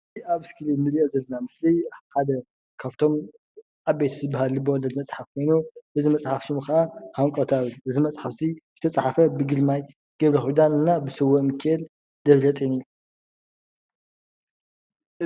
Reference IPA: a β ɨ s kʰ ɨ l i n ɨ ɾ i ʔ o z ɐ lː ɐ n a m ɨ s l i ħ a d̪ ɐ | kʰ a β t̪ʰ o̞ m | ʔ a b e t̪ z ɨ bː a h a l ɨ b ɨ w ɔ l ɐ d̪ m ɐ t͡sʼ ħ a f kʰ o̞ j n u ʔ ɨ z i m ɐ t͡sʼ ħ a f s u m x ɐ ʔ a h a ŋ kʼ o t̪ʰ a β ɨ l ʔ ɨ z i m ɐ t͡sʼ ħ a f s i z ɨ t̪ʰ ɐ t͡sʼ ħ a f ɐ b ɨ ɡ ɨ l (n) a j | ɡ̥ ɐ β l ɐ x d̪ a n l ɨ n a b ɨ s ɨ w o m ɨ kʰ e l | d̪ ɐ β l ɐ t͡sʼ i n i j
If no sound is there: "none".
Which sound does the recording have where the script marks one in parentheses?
m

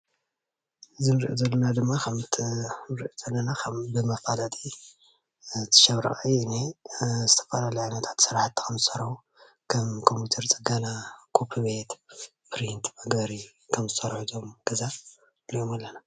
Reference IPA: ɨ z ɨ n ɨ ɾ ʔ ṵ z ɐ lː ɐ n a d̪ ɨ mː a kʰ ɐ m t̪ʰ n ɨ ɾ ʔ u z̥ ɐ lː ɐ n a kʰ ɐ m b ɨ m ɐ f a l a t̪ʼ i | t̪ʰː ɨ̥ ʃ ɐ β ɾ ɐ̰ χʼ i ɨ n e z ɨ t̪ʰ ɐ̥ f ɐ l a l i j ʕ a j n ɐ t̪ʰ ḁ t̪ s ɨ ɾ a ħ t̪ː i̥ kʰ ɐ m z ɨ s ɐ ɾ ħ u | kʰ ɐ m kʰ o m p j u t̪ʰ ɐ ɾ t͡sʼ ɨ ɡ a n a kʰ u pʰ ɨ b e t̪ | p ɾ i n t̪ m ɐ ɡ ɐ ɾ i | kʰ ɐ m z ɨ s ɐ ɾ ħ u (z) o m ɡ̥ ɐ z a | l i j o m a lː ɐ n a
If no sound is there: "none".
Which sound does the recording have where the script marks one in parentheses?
z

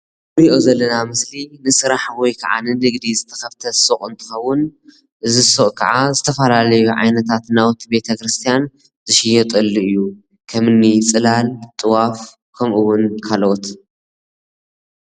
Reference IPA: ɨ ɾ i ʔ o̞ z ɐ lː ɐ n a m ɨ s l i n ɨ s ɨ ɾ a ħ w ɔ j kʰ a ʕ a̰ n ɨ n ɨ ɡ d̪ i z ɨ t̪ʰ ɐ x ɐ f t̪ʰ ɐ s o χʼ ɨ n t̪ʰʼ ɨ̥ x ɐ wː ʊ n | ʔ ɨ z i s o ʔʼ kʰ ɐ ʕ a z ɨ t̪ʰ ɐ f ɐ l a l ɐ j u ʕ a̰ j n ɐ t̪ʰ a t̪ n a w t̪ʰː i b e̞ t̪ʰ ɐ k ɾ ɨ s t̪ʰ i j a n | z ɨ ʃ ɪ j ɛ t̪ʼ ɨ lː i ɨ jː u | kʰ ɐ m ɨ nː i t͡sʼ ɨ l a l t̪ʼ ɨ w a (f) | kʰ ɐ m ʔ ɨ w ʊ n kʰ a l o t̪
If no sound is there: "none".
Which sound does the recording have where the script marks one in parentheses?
f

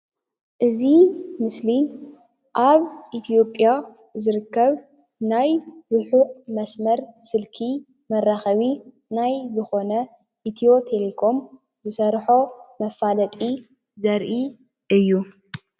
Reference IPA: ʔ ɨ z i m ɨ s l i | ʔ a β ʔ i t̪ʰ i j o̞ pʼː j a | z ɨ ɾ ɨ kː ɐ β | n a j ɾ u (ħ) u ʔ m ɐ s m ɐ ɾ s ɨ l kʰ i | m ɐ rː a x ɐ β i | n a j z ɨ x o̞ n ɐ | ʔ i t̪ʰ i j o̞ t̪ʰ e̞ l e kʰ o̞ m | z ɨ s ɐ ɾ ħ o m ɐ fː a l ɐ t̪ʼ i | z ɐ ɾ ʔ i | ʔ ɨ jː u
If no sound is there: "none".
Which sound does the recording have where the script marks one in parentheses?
ħ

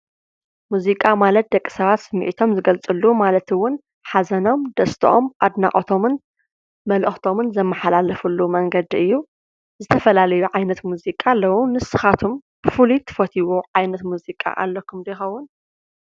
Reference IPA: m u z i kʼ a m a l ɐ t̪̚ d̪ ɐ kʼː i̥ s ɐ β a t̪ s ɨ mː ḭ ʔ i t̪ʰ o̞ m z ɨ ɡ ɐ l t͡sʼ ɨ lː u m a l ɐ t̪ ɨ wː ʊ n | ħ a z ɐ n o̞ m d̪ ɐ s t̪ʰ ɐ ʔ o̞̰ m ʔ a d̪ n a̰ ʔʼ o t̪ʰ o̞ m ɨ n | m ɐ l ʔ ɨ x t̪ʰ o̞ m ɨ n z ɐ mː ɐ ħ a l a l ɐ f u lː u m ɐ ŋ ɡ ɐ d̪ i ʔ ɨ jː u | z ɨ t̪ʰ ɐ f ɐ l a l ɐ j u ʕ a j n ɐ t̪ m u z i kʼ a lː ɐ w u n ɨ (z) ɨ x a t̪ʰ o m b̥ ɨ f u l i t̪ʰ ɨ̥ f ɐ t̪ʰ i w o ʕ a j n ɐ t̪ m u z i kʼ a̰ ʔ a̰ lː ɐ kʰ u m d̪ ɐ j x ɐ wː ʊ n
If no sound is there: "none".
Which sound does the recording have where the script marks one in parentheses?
s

